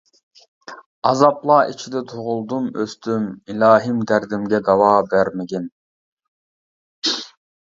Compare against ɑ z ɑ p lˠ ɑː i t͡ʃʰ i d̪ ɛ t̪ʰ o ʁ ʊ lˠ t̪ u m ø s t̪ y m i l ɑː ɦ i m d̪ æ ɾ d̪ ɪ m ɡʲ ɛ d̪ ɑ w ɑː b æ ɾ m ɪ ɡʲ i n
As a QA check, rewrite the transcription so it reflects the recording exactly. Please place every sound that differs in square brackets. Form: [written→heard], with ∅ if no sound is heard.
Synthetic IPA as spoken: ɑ z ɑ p lˠ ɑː i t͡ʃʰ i d̪ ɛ t̪ʰ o ʁ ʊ lˠ [t̪→d̪] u m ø s t̪ y m i l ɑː ɦ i m d̪ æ ɾ d̪ ɪ m ɡʲ ɛ d̪ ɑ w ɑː b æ ɾ m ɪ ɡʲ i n